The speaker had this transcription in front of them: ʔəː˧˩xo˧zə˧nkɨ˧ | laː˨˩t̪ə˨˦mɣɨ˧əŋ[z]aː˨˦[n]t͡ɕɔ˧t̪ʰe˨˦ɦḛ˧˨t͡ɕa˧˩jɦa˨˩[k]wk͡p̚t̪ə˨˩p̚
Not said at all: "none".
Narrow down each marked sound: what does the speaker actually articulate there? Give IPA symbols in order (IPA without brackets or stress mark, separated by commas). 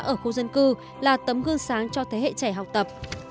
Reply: s, ŋ, none